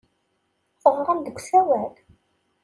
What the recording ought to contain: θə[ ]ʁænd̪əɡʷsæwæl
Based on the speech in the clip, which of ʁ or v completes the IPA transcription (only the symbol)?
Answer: ʁ